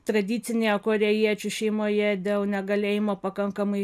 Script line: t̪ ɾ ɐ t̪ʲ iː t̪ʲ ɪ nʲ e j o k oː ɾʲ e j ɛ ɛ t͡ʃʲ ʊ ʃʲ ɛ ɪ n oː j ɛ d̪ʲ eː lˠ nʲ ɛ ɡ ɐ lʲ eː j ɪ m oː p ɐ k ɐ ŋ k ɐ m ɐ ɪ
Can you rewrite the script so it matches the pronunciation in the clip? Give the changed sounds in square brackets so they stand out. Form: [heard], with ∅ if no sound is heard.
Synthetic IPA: t̪ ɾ ɐ [d̪ʲ] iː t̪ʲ ɪ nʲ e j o k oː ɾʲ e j [i] ɛ t͡ʃʲ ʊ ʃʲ ɛ ɪ [m] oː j ɛ d̪ʲ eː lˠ nʲ ɛ ɡ ɐ lʲ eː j ɪ m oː p ɐ k ɐ ŋ k ɐ m ɐ ɪ